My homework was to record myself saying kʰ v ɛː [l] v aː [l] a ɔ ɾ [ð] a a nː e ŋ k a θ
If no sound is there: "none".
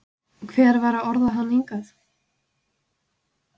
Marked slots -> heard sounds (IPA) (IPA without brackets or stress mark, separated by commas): ɾ, ɾ, ð